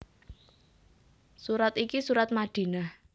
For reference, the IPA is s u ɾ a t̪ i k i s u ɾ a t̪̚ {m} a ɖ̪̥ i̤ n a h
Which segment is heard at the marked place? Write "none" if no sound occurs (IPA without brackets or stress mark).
m